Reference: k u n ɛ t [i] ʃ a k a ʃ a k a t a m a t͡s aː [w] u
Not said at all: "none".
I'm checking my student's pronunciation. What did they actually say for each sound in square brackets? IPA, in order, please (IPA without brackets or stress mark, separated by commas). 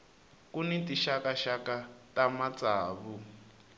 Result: i, β